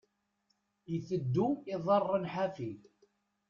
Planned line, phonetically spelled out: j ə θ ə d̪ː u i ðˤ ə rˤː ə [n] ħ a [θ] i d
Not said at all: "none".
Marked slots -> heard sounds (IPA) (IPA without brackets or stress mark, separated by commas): n, f